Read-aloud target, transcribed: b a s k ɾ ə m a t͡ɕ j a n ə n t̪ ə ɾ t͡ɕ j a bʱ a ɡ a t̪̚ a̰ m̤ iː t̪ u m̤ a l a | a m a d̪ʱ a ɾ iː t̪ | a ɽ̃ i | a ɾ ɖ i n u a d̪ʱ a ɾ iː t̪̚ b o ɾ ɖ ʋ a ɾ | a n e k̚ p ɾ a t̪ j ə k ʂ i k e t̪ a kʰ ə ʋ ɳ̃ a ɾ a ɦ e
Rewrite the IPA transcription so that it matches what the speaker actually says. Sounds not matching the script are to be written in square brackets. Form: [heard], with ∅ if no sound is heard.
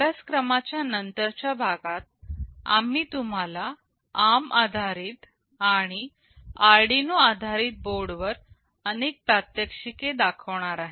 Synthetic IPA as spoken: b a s k ɾ ə m a t͡ɕ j a n ə n t̪ ə ɾ t͡ɕ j a bʱ a ɡ a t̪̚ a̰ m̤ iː t̪ u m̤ a l a | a m a d̪ʱ a ɾ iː t̪ | a ɽ̃ i | a ɾ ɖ i n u a d̪ʱ a ɾ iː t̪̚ b o ɾ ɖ ʋ [ə] ɾ | [ə] n e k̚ p ɾ a t̪ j ə k ʂ i k e [d̪] a kʰ ə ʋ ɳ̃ a ɾ a ɦ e

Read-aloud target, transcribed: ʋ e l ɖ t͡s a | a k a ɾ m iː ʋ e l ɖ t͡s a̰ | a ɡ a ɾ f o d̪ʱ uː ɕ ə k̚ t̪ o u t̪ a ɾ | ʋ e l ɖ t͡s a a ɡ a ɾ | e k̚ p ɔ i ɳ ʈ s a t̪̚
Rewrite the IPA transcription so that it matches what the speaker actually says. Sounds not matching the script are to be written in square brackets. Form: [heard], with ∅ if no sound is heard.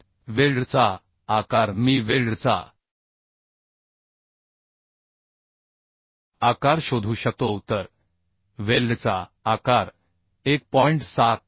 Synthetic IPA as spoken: ʋ e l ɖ t͡s a | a k a ɾ m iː ʋ e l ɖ t͡s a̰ | a [k] a ɾ [ɕ] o d̪ʱ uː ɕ ə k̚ t̪ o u t̪ [ə] ɾ | ʋ e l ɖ t͡s a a [k] a ɾ | e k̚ p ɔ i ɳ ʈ s a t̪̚

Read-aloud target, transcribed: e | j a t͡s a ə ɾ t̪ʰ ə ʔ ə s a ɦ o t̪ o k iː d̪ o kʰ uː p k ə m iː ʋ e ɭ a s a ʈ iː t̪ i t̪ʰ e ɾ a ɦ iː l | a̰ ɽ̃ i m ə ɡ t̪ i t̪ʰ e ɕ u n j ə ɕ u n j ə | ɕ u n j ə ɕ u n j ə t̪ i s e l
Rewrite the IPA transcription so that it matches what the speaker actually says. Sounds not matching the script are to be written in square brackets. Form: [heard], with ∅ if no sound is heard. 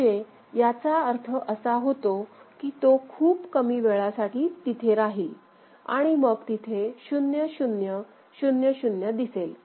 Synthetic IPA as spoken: e | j a t͡s a ə ɾ t̪ʰ ə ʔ ə s a ɦ o t̪ o k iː [t̪] o kʰ uː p k ə m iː ʋ e ɭ a s a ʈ iː t̪ i t̪ʰ e ɾ a ɦ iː l | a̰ ɽ̃ i m ə ɡ t̪ i t̪ʰ e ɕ u n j ə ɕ u n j ə | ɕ u n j ə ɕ u n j ə [d̪] i s e l

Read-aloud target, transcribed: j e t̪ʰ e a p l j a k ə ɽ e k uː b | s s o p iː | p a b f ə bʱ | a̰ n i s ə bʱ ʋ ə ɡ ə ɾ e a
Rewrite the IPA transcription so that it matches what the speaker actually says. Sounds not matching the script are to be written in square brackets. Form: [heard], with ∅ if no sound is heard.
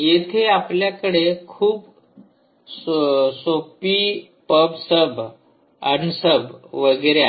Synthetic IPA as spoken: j e t̪ʰ e a p l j a k ə ɽ e [kʰ] uː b | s s o p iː | p [ə] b [s] ə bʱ | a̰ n i s ə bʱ ʋ ə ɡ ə ɾ e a

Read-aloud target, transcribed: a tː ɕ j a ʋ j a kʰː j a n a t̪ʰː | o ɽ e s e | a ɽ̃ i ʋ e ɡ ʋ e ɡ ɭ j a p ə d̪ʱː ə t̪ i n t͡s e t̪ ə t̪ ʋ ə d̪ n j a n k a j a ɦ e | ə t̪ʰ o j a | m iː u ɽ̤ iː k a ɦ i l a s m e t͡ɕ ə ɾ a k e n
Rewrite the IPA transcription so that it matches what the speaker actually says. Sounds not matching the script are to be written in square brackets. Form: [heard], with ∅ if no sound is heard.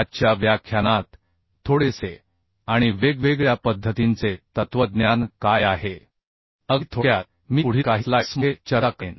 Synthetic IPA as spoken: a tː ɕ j a ʋ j a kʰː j a n a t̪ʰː | o ɽ e s e | a ɽ̃ i ʋ e ɡ ʋ e ɡ ɭ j a p ə d̪ʱː ə t̪ i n t͡s e t̪ ə t̪ ʋ ə d̪ n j a n k a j a ɦ e | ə t̪ʰ o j a | m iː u ɽ̤ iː k a ɦ i l a s m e t͡ɕ ə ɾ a k e n

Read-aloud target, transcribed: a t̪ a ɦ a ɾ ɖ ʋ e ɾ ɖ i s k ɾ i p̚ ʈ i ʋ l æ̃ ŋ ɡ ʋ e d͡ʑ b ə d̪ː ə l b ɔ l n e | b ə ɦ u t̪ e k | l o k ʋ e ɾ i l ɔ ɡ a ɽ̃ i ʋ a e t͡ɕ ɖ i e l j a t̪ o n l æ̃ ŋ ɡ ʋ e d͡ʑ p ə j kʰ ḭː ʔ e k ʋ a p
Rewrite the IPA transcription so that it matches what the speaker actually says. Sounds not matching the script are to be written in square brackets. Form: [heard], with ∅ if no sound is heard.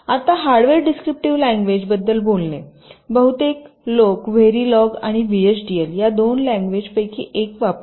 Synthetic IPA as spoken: a t̪ a ɦ a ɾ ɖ ʋ e ɾ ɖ i s k ɾ i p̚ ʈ i ʋ l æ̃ ŋ ɡ ʋ e d͡ʑ b ə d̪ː ə l b [o] l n e | b ə ɦ u t̪ e k | l o k ʋ e ɾ i l ɔ ɡ a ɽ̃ i ʋ [i] e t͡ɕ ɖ i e l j a [d̪] o n l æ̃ ŋ ɡ ʋ e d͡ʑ p ə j kʰ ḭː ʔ e k ʋ a p

